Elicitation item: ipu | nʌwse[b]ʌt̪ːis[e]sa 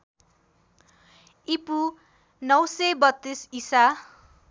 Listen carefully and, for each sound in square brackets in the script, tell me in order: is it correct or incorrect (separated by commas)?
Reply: correct, incorrect